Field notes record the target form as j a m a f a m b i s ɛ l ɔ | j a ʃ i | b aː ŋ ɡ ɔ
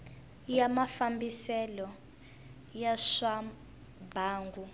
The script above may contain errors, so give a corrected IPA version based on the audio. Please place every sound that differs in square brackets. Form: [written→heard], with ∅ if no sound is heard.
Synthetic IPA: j a m a f a m b i s ɛ l ɔ | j a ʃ [i→a] | b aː ŋ ɡ [ɔ→u]